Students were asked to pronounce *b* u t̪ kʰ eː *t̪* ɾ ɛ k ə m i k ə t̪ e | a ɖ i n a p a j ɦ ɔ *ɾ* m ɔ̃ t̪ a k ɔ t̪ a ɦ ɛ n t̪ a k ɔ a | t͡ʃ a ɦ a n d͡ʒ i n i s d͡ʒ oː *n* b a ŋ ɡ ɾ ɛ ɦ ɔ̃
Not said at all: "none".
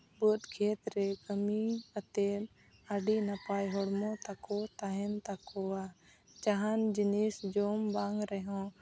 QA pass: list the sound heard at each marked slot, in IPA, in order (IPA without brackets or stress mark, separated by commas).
b, t̪, ɽ, m